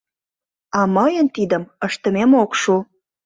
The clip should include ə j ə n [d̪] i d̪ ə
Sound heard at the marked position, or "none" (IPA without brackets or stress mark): t̪